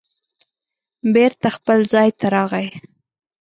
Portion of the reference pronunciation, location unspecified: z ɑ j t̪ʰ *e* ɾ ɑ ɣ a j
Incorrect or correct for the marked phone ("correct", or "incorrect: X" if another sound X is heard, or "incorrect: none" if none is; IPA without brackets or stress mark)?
incorrect: a